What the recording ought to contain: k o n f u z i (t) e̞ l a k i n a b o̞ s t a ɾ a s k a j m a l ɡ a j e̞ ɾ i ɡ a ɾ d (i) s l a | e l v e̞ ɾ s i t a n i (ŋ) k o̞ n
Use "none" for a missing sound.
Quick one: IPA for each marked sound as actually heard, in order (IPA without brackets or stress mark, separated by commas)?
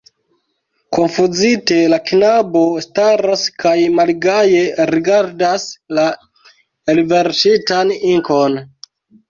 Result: t, a, ŋ